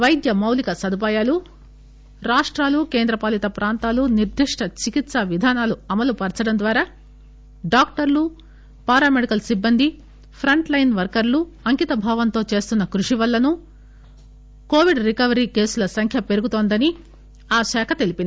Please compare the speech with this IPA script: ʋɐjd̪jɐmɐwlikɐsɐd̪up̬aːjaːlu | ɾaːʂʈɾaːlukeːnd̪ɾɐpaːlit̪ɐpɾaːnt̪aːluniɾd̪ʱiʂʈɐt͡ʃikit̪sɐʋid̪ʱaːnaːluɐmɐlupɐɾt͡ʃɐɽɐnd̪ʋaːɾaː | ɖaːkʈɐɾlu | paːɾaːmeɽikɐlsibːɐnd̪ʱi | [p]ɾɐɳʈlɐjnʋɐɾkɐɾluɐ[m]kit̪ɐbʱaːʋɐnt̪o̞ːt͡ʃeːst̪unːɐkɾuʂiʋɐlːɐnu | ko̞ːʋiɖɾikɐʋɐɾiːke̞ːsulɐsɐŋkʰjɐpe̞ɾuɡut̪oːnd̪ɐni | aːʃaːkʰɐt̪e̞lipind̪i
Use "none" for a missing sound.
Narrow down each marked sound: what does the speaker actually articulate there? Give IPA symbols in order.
pʰ, ŋ

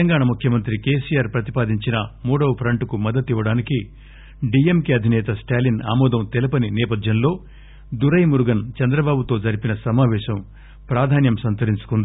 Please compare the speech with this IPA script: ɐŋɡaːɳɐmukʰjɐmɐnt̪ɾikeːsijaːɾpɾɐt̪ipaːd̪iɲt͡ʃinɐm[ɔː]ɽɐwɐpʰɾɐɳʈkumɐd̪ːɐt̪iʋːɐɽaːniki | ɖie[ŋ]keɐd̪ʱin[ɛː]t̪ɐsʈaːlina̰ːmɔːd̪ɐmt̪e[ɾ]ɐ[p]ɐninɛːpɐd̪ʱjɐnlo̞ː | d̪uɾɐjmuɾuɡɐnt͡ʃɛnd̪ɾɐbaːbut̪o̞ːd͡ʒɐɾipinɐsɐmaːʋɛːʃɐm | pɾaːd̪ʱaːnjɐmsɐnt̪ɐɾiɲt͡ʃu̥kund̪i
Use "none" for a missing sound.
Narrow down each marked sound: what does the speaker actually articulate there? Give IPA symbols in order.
uː, m, ɛː, l, p

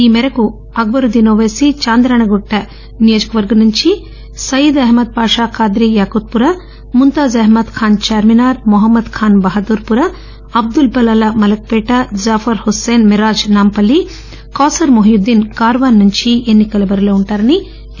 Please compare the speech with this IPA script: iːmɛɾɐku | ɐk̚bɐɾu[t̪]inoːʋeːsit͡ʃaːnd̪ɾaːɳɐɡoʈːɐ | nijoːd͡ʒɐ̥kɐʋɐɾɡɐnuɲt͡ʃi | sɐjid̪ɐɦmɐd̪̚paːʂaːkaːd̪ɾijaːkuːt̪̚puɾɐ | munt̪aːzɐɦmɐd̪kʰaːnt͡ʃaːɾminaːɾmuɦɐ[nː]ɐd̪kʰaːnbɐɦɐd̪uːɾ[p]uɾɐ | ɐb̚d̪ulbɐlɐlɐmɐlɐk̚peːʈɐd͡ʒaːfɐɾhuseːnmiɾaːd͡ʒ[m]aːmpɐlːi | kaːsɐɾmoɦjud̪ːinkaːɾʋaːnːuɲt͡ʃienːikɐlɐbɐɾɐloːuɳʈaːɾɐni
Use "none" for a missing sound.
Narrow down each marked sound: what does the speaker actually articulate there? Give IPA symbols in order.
d̪, mː, p, n

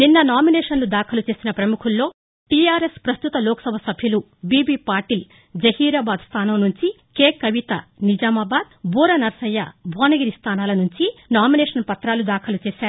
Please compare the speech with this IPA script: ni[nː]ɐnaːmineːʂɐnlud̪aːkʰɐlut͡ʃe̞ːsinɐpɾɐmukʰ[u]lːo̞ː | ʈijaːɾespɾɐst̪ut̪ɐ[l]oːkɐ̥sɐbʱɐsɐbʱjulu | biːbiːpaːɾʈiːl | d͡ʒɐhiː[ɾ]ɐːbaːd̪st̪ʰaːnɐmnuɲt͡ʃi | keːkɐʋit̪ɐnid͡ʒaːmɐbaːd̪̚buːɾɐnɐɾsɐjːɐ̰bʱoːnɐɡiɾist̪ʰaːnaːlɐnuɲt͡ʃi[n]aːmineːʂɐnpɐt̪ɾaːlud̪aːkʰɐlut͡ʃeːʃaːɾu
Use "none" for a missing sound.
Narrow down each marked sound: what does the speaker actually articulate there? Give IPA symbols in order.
nː, u, l, ɾ, n

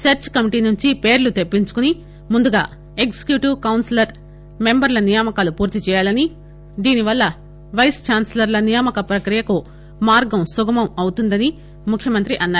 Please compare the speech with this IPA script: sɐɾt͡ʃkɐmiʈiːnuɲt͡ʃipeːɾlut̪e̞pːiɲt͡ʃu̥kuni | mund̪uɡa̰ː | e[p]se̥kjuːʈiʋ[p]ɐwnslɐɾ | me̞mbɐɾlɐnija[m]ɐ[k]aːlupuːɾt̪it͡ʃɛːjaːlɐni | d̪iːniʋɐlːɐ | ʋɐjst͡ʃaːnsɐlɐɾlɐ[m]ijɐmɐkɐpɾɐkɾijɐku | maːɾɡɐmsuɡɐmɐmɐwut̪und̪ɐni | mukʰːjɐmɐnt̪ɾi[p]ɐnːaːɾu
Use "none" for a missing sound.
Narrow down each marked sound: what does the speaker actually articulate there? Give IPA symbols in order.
k, k, m, k, n, ʔ

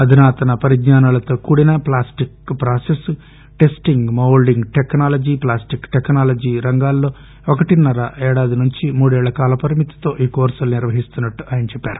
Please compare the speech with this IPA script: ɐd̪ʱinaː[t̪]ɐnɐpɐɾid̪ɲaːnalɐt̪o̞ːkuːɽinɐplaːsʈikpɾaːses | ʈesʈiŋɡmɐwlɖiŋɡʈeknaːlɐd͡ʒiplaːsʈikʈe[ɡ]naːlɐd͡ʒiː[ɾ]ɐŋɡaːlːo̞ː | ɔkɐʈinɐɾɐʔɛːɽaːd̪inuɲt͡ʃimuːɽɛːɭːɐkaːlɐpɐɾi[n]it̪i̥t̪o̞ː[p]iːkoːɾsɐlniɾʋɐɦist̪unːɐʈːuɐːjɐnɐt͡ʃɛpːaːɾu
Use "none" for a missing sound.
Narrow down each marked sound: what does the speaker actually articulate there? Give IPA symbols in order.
t̪, k, ɾ, m, ʔ

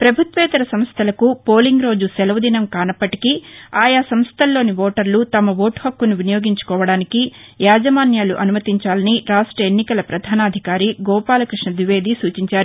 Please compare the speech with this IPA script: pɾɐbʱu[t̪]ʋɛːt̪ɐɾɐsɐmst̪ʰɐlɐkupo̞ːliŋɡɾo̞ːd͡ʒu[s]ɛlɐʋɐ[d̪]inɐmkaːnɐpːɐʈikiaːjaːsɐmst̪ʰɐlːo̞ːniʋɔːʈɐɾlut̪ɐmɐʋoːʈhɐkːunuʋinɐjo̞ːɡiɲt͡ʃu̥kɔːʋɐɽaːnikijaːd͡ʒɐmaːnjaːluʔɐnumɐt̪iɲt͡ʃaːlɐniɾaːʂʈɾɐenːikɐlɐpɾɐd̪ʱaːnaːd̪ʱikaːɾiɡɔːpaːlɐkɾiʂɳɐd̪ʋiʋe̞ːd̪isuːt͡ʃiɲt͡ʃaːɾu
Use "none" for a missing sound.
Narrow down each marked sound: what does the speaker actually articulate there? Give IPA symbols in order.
t̪, s, d̪

